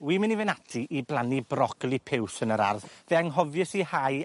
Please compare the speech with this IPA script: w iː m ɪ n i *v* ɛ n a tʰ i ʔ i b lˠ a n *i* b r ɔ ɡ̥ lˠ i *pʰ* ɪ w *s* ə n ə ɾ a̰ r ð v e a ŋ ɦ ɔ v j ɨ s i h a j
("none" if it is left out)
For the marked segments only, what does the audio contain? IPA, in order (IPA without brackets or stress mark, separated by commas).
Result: v, i, pʰ, s